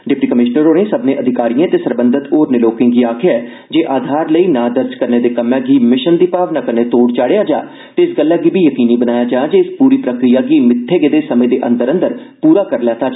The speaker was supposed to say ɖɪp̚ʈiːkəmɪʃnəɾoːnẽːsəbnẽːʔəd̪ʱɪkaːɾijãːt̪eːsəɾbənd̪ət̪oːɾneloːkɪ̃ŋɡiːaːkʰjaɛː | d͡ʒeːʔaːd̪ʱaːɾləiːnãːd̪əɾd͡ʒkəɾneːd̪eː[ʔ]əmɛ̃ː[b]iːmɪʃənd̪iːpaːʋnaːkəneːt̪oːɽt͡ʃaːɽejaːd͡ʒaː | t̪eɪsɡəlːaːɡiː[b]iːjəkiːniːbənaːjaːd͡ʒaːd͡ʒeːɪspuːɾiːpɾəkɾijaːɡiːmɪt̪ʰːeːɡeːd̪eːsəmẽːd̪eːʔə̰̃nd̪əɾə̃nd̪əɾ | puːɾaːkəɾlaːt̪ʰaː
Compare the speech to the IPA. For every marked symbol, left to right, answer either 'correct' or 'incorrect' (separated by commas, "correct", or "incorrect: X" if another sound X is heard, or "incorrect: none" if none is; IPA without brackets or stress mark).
incorrect: k, incorrect: ɡ, correct